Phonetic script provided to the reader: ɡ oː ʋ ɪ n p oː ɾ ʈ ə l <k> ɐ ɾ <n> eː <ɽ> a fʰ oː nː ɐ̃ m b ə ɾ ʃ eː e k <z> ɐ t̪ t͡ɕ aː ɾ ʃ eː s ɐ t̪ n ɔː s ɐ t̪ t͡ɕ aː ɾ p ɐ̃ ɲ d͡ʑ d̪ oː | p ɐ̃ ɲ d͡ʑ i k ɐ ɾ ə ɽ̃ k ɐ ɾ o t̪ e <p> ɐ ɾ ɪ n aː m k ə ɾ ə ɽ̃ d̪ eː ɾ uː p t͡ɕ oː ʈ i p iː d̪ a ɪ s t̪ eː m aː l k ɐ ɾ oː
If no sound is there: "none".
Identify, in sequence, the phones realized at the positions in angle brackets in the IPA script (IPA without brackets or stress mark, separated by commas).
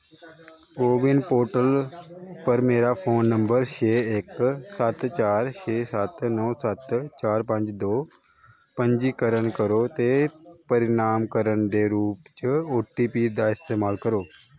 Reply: p, m, ɾ, s, p